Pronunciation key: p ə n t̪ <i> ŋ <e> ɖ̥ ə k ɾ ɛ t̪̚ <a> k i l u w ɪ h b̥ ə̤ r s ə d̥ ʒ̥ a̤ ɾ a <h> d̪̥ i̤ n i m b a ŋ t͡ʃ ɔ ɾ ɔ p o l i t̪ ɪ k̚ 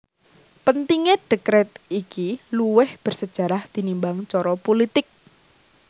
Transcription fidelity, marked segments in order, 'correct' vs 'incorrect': correct, correct, incorrect, correct

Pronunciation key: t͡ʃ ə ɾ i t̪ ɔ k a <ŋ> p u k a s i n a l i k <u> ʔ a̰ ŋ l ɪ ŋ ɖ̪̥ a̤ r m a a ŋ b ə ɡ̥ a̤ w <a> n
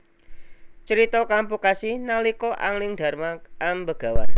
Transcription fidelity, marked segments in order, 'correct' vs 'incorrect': incorrect, incorrect, correct

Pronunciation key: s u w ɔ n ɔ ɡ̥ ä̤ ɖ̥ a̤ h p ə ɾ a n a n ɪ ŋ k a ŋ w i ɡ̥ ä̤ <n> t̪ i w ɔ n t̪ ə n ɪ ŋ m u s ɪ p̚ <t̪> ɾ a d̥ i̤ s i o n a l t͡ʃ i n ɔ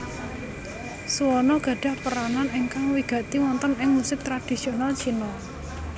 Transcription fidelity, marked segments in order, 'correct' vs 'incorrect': incorrect, correct

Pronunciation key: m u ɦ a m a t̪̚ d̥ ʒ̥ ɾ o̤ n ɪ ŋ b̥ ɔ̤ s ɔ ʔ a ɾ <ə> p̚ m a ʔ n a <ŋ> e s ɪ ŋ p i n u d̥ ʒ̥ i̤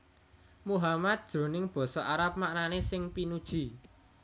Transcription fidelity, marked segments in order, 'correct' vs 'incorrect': incorrect, incorrect

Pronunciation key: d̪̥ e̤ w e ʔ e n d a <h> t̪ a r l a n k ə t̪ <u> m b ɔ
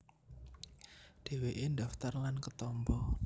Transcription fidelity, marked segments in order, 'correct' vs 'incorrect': incorrect, incorrect

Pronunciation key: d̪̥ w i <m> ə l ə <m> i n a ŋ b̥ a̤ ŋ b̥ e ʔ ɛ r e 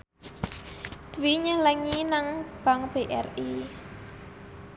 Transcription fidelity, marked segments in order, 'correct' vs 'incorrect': incorrect, incorrect

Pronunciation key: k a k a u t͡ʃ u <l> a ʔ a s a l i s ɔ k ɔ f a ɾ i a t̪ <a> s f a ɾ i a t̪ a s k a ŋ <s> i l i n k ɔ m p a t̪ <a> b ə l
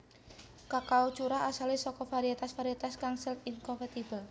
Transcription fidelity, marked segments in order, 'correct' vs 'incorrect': incorrect, correct, correct, incorrect

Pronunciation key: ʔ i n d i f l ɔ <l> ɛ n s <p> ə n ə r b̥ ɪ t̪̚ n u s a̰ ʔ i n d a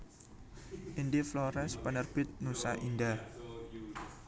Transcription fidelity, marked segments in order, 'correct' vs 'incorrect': incorrect, correct

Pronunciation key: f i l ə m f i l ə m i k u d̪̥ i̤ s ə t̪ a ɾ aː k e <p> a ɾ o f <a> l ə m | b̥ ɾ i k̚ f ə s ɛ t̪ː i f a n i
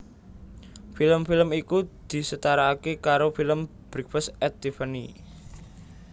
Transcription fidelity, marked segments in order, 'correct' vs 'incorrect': incorrect, incorrect

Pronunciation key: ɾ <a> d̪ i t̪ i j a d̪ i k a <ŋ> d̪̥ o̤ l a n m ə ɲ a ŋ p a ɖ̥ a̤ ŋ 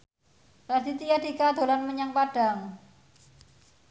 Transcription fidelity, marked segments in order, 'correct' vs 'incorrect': correct, incorrect

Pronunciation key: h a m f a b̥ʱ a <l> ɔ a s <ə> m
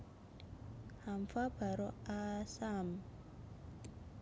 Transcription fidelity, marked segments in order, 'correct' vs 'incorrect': incorrect, incorrect

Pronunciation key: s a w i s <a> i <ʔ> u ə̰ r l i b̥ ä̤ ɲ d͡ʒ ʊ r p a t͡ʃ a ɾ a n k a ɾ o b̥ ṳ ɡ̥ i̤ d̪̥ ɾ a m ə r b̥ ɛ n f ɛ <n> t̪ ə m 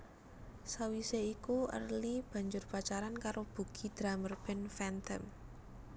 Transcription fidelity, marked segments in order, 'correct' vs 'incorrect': incorrect, incorrect, correct

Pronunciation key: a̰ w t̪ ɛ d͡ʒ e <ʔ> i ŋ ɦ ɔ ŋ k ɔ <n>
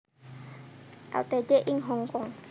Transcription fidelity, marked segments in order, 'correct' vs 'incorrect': correct, incorrect

